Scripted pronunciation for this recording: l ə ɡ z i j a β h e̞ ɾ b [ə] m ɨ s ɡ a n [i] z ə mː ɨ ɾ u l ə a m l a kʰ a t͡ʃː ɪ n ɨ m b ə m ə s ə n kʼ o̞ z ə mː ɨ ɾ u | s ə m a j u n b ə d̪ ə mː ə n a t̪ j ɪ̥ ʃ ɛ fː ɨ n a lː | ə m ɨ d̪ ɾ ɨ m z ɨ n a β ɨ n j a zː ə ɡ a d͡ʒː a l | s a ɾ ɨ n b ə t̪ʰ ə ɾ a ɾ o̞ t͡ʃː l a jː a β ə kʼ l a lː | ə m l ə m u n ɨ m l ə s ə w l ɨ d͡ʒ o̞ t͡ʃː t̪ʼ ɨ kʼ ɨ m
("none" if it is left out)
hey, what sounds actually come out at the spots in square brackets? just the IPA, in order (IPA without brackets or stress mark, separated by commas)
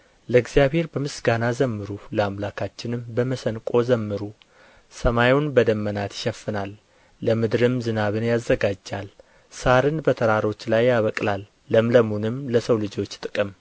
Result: ə, a